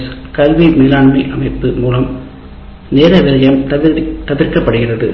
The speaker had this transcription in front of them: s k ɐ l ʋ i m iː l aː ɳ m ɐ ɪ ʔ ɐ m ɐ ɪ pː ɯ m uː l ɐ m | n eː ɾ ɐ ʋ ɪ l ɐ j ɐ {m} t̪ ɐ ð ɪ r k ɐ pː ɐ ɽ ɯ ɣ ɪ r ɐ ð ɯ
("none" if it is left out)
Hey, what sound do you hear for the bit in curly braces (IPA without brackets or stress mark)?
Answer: m